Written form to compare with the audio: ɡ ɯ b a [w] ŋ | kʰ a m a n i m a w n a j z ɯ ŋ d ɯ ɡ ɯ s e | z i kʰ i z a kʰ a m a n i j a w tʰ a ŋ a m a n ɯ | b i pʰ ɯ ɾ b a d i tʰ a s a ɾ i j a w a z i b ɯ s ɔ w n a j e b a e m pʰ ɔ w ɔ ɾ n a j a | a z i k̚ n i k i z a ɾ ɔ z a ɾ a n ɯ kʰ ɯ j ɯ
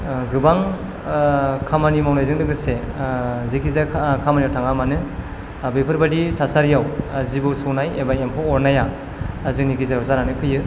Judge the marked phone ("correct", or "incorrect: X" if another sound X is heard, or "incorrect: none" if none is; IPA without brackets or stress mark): incorrect: none